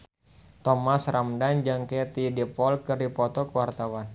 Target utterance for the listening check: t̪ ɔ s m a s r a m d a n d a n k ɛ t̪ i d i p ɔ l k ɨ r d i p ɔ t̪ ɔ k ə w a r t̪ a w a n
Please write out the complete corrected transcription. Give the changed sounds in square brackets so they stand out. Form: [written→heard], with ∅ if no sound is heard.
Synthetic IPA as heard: t̪ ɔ [s→∅] m a s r a m d a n [d→d͡ʒ] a [n→ŋ] k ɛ t̪ i d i p ɔ l k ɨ r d i p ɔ t̪ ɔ k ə w a r t̪ a w a n